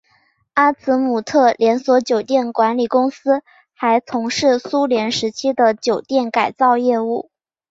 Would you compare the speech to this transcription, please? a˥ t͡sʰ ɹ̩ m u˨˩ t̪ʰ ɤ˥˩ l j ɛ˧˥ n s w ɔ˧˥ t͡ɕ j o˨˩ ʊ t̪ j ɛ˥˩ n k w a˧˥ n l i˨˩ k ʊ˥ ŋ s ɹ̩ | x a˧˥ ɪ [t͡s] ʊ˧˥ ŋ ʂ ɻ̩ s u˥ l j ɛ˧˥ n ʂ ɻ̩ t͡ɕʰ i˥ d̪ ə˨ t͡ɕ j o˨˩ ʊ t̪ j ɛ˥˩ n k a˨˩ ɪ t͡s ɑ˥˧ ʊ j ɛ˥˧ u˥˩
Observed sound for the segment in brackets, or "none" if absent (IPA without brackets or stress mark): t͡sʰ